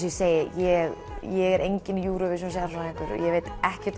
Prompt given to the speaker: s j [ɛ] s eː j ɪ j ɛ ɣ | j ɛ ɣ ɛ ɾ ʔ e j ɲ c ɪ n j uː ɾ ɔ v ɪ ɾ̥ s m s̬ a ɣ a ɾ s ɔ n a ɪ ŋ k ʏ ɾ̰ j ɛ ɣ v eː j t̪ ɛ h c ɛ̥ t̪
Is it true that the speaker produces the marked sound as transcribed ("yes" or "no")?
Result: yes